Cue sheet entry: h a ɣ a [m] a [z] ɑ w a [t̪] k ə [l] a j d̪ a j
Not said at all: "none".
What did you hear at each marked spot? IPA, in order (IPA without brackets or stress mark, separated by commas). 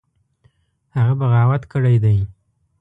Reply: b, ɣ, t̪, ɽ